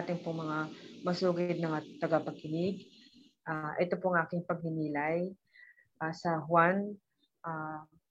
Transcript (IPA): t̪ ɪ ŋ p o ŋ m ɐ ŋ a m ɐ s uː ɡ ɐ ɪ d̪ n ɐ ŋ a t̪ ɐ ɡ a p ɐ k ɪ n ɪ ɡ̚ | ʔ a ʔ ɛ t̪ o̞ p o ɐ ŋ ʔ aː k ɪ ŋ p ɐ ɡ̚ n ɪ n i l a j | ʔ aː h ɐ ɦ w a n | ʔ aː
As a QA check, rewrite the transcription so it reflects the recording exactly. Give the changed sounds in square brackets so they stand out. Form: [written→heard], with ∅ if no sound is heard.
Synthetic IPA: t̪ ɪ ŋ p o ŋ m ɐ ŋ a m ɐ s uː ɡ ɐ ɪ d̪ n ɐ ŋ a t̪ ɐ ɡ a p ɐ k ɪ n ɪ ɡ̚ | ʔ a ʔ ɛ t̪ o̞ p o ɐ ŋ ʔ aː k ɪ ŋ p ɐ ɡ̚ n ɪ n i l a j | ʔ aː [h→s] ɐ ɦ w a n | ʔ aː